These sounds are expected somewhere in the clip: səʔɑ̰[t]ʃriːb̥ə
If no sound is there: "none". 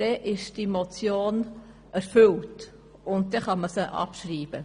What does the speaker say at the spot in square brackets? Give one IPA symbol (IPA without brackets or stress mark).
p